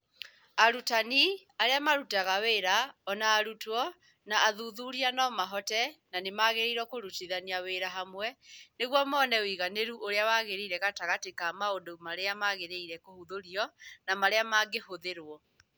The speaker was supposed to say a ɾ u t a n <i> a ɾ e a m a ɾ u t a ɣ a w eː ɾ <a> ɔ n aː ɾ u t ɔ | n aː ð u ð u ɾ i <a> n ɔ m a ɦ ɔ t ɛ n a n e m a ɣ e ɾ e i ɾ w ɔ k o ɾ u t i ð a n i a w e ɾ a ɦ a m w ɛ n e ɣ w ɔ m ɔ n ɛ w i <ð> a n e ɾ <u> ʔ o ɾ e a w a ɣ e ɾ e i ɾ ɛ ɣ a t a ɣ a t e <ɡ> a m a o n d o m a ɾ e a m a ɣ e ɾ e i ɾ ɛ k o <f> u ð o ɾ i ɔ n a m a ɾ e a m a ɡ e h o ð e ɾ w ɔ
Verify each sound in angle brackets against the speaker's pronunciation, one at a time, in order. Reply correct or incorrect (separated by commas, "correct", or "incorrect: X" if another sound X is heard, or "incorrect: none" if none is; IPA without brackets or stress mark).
correct, correct, correct, incorrect: ɣ, correct, incorrect: k, incorrect: h